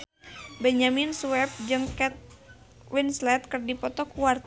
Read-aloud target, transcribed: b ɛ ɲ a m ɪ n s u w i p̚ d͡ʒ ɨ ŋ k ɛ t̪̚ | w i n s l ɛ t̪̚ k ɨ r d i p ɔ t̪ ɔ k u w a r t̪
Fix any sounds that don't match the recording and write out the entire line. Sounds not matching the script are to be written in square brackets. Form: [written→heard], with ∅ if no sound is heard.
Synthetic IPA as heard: b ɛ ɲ a m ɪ n s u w [i→ɛ] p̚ d͡ʒ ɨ ŋ k ɛ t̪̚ | w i n s l ɛ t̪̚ k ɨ r d i p ɔ t̪ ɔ k u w a r t̪